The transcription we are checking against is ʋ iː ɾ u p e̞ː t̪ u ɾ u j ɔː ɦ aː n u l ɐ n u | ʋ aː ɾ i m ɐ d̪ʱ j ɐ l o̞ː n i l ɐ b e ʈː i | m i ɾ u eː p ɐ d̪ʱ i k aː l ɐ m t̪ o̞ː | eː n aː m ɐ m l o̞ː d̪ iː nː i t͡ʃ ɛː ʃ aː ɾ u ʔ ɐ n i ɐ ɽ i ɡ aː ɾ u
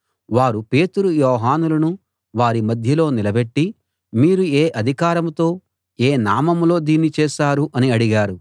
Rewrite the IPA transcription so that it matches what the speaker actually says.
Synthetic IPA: ʋ aː ɾ u p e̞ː t̪ u ɾ u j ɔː ɦ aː n u l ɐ n u | ʋ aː ɾ i m ɐ d̪ʱ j ɐ l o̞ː n i l ɐ b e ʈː i | m iː ɾ u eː ʔ ɐ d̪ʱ i k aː ɾ ɐ m t̪ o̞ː | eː n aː m ɐ m l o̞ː d̪ iː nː i t͡ʃ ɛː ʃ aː ɾ u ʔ ɐ n i ɐ ɽ i ɡ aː ɾ u